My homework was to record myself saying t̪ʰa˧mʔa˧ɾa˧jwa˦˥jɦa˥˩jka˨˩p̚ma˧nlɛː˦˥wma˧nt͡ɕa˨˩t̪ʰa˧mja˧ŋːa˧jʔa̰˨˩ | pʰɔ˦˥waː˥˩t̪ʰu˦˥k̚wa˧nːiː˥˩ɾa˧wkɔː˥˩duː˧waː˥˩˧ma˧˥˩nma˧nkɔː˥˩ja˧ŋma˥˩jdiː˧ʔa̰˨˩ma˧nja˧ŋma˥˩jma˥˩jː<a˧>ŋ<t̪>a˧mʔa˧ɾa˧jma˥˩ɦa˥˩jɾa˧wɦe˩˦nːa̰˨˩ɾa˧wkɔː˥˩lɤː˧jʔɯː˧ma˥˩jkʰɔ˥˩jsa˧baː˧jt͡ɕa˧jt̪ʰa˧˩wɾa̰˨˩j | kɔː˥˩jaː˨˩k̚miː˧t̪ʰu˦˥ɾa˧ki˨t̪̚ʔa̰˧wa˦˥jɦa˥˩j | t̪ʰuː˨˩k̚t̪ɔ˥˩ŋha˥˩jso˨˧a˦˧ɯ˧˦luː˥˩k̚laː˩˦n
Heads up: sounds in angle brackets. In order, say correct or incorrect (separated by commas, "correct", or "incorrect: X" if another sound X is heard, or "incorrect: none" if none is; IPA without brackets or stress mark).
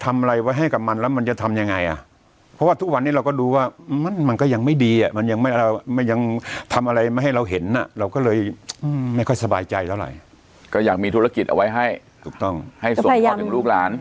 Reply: correct, incorrect: t̪ʰ